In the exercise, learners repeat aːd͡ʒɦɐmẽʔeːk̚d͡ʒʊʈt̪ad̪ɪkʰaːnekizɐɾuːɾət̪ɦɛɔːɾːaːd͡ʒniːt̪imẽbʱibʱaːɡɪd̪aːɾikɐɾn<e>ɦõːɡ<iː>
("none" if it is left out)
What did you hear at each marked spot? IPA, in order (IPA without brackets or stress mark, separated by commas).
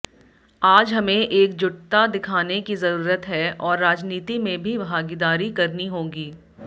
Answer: i, iː